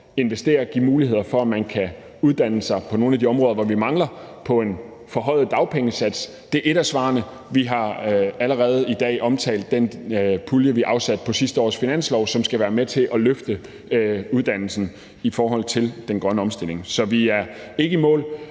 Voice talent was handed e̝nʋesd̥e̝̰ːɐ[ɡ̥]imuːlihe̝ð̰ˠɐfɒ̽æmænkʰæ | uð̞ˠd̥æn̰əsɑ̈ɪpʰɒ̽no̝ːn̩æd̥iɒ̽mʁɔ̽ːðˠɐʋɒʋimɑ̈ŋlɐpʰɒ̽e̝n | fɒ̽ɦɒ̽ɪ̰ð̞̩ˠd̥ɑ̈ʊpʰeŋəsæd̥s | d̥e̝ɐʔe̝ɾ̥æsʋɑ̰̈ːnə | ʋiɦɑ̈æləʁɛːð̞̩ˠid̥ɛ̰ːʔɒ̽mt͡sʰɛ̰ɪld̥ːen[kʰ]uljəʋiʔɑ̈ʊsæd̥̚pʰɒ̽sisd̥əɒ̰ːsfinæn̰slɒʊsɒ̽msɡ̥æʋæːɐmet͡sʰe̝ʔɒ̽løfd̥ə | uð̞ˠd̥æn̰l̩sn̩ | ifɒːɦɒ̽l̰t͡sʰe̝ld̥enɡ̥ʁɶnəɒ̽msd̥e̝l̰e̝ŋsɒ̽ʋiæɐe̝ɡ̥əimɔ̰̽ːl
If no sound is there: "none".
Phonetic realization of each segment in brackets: ɡ̥, pʰ

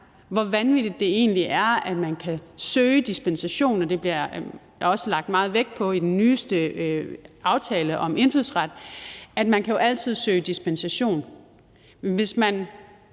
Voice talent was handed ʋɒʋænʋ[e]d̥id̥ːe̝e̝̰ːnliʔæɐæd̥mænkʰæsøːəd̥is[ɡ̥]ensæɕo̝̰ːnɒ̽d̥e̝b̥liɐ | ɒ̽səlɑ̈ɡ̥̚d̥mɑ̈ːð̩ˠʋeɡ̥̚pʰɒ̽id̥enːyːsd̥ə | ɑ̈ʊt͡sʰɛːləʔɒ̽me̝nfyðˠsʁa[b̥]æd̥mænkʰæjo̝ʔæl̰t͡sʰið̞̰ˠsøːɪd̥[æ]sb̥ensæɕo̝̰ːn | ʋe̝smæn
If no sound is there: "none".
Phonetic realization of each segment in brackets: i, b̥, d̥, i

